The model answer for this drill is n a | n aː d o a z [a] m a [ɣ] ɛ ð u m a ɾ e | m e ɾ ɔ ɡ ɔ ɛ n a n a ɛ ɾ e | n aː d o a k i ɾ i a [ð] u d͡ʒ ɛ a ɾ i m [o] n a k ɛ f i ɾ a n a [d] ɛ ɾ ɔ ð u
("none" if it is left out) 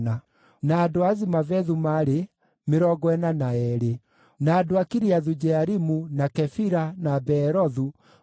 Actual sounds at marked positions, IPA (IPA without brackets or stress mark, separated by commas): i, v, ð, u, b